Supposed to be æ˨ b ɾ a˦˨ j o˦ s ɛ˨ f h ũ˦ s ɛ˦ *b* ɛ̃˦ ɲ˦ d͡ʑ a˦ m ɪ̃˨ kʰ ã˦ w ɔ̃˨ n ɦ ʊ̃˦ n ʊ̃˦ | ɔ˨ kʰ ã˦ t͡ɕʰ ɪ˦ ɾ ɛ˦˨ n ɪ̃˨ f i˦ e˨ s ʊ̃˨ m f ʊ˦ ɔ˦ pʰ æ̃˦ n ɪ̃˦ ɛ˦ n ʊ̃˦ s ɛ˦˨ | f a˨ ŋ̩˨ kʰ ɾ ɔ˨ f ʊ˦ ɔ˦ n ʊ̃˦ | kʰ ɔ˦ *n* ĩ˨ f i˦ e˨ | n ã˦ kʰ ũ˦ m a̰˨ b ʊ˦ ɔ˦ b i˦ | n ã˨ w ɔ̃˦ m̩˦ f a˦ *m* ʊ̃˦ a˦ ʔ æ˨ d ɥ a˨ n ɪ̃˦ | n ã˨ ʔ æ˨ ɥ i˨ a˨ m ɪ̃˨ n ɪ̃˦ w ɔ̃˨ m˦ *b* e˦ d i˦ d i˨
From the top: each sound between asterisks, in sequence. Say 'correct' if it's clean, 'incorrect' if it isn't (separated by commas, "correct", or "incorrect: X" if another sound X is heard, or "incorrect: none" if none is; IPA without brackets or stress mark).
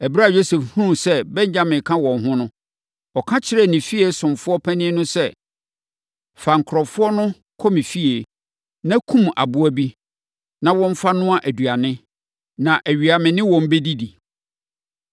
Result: correct, incorrect: m, incorrect: n, correct